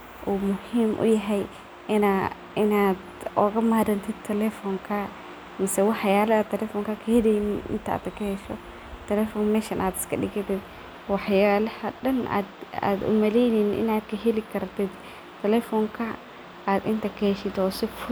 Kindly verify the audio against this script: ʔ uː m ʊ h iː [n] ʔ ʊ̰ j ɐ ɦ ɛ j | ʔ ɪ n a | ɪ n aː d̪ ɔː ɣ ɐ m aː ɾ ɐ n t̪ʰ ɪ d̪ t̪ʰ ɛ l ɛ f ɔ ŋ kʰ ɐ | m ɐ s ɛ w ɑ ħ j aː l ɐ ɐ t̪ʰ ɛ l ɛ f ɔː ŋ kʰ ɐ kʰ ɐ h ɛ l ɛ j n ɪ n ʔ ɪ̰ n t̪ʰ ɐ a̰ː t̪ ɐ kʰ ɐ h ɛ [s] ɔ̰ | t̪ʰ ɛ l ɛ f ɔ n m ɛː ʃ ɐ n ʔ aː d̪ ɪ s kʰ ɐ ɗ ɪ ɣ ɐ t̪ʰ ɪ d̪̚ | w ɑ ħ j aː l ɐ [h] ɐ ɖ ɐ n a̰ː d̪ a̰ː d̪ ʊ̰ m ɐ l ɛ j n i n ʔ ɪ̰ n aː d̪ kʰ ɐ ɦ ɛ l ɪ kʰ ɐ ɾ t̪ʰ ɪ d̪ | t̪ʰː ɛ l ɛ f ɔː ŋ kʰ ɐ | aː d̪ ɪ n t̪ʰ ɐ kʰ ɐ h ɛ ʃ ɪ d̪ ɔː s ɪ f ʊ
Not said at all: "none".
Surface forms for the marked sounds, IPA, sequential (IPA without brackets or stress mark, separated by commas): m, ʃ, h